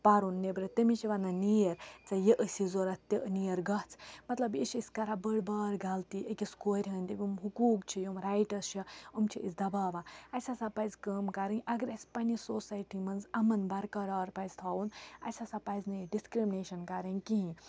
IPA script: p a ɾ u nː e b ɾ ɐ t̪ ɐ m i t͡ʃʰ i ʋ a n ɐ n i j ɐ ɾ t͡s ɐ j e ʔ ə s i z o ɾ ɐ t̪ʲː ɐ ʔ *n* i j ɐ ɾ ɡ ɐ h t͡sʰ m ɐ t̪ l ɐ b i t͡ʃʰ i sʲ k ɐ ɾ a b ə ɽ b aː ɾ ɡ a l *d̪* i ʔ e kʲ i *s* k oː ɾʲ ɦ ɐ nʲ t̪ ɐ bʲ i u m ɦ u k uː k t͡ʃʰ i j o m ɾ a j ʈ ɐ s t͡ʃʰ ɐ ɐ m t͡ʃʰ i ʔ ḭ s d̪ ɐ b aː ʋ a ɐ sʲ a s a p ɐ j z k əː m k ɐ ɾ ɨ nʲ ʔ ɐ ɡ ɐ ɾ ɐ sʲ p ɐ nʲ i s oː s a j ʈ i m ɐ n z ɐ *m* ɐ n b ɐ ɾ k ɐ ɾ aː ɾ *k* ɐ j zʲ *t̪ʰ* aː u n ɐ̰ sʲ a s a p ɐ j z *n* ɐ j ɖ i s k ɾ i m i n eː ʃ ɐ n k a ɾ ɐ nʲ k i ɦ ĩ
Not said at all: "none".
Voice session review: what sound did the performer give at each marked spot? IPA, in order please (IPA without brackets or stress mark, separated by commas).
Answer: n, t̪, s, m, p, t̪ʰ, n